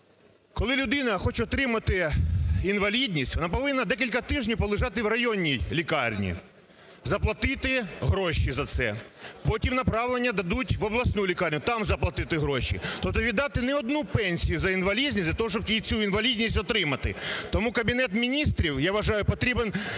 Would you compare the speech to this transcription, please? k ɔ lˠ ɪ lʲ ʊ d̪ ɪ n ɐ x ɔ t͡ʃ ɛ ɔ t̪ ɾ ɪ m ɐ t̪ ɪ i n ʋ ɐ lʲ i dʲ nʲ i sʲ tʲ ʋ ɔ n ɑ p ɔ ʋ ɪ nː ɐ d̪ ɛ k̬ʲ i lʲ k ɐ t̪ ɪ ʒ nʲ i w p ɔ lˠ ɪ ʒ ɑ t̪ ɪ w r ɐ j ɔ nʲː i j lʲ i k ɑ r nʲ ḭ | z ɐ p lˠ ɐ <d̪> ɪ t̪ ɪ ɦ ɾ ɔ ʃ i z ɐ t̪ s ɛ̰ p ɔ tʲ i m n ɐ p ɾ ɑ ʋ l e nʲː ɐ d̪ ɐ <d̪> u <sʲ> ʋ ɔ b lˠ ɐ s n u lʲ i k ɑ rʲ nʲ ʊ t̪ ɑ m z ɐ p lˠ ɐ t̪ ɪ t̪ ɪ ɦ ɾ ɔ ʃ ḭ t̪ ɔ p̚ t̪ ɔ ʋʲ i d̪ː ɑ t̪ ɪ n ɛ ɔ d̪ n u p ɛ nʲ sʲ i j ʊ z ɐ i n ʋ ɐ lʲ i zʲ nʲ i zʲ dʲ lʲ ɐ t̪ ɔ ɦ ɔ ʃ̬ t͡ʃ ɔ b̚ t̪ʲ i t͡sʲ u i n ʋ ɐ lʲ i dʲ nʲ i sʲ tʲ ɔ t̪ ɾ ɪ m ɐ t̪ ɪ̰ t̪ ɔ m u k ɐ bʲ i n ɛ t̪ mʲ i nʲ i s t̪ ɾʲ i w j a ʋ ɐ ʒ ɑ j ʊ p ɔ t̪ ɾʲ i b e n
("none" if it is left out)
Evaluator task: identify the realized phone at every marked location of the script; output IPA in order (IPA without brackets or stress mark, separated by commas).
t̪, d̪, tʲ